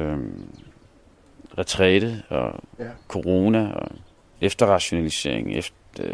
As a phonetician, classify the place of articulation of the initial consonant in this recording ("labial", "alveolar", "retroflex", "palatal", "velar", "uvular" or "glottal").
uvular